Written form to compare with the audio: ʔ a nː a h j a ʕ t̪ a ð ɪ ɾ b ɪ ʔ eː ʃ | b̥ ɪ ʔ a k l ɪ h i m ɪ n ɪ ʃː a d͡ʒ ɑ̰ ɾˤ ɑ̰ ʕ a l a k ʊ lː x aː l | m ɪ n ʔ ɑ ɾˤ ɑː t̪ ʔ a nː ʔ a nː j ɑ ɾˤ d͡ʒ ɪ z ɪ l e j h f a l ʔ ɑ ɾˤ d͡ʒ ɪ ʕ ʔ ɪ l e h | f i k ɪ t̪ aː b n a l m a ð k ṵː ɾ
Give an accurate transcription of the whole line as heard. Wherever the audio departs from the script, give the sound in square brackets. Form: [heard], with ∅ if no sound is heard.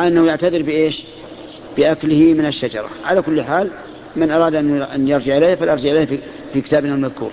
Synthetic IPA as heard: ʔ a nː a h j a ʕ t̪ a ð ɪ ɾ b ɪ ʔ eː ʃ | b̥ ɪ ʔ a k l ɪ h i m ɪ n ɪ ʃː a d͡ʒ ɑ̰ ɾˤ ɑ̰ ʕ a l a k ʊ lː [ħ] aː l | m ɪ n ʔ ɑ ɾˤ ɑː [d̪] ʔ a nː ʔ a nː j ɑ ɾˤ d͡ʒ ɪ [ʕ] ɪ l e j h f a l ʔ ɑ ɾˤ d͡ʒ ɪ ʕ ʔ ɪ l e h | f i k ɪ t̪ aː b n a l m a ð k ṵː ɾ